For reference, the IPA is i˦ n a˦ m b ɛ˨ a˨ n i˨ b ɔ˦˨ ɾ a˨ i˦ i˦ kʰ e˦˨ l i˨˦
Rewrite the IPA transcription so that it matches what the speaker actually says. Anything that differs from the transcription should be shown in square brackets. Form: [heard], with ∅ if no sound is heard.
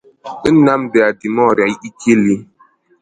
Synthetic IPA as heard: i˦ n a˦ m b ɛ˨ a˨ [d] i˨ [m] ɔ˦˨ ɾ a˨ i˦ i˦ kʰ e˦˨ l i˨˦

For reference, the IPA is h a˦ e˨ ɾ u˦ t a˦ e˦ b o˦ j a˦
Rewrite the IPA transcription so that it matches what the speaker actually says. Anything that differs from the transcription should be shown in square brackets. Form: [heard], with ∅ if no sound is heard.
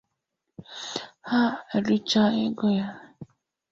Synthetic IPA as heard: h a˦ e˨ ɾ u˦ [t͡ʃ] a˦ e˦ [ɡ] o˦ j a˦

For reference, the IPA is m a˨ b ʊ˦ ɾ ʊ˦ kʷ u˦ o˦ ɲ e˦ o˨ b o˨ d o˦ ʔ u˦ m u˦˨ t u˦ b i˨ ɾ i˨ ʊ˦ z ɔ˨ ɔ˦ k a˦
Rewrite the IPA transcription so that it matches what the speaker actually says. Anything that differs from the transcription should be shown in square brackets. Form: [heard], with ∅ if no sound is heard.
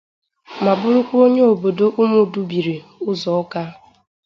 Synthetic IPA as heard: m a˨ b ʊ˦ ɾ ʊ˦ kʷ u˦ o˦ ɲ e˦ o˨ b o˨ d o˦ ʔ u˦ m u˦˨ [d] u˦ b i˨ ɾ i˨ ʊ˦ z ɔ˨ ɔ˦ k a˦

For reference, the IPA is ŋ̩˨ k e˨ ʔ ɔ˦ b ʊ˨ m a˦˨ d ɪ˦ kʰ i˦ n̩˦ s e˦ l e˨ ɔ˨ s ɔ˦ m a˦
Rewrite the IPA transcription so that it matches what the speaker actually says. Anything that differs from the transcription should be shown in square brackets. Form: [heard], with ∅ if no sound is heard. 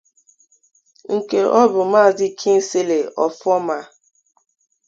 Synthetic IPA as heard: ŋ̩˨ k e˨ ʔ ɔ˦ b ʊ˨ m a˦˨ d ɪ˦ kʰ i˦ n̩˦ s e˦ l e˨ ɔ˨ [f] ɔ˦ m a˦

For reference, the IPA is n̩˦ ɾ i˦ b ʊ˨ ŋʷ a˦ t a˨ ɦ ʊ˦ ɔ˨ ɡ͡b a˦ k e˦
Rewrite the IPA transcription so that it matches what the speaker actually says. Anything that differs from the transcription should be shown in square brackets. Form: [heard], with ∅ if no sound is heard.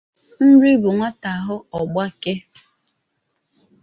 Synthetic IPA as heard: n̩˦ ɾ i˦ b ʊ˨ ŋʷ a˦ t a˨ ɦ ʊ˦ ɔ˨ ɡ͡b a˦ k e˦

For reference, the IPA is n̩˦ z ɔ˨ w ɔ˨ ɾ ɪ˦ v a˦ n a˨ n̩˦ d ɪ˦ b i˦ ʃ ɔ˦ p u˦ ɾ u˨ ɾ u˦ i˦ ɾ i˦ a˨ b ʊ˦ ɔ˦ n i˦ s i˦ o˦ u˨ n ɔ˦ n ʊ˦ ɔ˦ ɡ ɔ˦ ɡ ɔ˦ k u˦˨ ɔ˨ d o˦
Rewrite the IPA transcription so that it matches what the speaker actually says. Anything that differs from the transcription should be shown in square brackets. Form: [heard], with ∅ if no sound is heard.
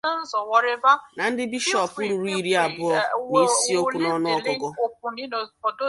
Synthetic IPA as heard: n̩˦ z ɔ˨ w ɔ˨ ɾ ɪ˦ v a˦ n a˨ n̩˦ d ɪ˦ b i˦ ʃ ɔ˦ p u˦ ɾ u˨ ɾ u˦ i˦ ɾ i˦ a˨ b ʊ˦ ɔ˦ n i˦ s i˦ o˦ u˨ n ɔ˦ n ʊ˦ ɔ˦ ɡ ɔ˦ ɡ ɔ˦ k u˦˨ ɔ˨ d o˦

